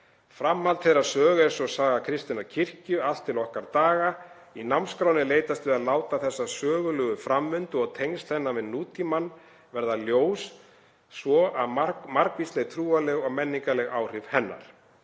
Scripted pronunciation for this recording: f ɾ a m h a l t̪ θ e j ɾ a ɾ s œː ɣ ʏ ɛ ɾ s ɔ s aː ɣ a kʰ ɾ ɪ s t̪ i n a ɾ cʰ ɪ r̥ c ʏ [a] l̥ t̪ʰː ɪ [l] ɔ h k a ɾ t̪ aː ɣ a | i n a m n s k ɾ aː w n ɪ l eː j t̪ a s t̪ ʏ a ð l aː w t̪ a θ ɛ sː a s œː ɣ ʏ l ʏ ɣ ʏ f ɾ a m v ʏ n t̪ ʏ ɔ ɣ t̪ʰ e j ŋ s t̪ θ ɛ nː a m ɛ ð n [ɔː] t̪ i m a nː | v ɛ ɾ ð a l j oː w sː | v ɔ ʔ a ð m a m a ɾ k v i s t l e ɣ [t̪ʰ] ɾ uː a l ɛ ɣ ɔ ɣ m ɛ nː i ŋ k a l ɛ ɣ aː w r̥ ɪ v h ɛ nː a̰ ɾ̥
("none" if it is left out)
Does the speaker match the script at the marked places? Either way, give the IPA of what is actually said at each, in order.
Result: a, l, uː, t̪ʰ

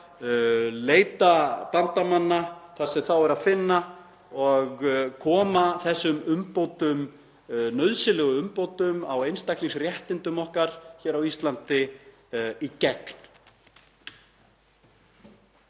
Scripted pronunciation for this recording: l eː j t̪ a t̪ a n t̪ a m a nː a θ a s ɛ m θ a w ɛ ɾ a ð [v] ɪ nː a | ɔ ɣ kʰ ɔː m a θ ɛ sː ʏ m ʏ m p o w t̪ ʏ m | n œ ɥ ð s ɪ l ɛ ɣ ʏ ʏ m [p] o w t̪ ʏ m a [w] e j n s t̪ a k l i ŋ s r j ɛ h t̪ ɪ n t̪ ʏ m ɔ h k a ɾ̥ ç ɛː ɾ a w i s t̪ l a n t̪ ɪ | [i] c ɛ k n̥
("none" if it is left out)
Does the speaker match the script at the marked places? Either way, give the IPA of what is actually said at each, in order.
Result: f, p, w, i

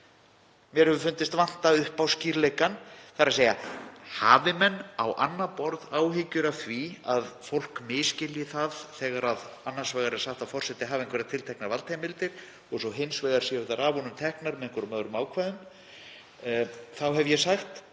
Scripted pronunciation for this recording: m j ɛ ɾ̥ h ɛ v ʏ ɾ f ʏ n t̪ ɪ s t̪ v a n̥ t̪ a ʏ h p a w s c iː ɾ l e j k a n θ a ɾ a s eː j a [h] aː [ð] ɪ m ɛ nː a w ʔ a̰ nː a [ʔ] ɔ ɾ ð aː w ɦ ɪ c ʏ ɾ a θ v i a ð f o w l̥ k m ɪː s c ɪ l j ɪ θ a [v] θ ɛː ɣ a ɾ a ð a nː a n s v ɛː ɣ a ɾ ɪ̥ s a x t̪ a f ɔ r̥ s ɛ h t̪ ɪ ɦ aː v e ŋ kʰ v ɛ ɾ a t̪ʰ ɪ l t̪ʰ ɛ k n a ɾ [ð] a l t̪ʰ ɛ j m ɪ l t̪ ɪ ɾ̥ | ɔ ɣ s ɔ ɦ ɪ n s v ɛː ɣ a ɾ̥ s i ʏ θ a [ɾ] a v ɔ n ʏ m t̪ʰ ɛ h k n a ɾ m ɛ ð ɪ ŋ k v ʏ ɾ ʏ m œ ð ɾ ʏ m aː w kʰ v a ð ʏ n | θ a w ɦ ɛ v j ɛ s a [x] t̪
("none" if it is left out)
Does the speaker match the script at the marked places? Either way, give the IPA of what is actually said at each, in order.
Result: h, v, p, ð, v, ɾ, x

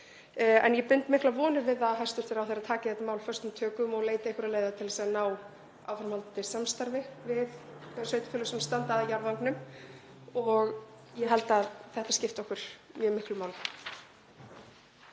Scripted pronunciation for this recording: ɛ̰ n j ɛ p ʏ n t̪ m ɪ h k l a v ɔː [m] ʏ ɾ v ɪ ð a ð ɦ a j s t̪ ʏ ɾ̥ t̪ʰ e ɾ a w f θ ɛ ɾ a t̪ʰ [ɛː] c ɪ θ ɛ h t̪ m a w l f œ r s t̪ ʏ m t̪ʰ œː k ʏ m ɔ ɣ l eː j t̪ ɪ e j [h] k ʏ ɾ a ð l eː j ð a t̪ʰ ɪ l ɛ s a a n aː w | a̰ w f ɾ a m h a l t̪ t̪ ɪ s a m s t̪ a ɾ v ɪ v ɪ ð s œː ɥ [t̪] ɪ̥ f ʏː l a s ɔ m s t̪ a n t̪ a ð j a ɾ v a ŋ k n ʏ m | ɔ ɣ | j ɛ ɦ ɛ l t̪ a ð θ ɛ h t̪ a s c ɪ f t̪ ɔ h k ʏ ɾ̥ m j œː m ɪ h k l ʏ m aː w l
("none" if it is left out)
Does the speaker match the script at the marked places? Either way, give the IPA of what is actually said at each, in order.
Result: n, aː, h, t̪

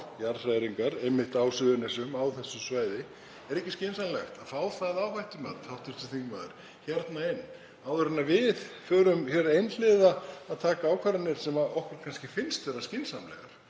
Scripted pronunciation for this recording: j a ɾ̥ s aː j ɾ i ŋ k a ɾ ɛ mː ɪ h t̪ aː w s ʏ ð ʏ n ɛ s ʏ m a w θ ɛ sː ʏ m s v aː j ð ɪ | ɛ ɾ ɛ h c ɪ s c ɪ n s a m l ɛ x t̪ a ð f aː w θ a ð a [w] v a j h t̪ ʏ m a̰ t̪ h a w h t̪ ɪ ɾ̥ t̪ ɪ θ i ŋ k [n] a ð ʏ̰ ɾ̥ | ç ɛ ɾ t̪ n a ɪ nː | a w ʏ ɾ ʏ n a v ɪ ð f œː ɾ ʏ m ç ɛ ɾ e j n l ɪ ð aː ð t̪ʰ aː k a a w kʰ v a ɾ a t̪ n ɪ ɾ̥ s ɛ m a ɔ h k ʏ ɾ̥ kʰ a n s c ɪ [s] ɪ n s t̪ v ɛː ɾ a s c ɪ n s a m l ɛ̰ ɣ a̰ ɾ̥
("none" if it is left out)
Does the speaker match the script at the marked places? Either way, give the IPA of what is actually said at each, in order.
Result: w, m, f

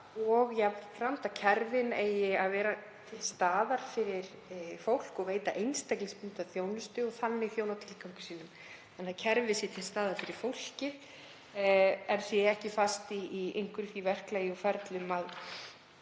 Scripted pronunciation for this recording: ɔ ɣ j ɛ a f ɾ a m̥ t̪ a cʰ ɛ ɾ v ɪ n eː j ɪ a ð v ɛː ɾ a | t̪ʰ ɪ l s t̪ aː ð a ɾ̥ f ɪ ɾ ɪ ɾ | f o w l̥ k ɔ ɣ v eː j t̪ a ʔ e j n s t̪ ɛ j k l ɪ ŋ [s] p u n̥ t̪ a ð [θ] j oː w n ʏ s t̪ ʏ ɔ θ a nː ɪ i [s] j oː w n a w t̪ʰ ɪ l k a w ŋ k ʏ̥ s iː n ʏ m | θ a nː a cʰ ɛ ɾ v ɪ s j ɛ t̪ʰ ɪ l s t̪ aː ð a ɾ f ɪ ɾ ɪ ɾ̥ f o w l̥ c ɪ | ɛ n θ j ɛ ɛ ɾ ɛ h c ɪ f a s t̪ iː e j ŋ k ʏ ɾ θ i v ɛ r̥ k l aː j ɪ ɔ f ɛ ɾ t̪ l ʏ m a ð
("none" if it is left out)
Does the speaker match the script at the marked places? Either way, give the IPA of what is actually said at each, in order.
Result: s, θ, θ

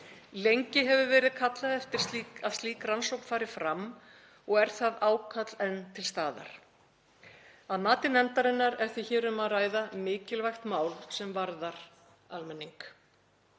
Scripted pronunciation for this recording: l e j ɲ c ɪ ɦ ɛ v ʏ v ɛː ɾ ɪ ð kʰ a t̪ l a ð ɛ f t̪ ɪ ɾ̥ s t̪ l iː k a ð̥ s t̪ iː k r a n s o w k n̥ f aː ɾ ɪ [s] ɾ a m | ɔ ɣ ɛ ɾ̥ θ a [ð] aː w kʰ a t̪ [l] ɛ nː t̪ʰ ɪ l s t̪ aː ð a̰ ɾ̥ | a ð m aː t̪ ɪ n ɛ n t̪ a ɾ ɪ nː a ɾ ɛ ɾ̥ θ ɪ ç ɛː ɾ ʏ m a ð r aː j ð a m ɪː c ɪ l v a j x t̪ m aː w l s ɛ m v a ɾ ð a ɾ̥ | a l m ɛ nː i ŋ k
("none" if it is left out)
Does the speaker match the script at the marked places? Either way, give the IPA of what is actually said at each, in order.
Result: f, ð, l

